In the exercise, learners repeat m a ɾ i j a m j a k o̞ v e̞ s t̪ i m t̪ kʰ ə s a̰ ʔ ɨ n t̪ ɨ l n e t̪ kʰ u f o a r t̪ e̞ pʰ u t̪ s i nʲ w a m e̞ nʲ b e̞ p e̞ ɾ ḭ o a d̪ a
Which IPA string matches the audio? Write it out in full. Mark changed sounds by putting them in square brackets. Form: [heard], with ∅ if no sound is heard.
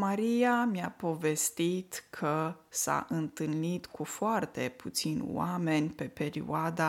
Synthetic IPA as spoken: m a ɾ i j a m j a [p] o̞ v e̞ s t̪ i [∅] t̪ kʰ ə s a̰ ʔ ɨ n t̪ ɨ l n [i] t̪ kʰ u f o a r t̪ e̞ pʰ u t̪ s i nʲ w a m e̞ nʲ [p] e̞ p e̞ ɾ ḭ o a d̪ a